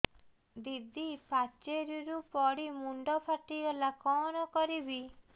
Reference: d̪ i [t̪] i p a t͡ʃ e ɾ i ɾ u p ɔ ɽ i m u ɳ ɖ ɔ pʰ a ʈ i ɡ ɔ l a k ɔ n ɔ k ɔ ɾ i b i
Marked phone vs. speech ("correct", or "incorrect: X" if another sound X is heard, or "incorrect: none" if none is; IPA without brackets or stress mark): incorrect: d̪